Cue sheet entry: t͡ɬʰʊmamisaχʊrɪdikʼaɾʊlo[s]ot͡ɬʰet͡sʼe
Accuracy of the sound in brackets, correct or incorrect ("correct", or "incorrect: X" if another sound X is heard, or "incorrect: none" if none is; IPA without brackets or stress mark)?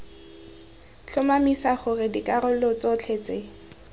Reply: incorrect: t͡s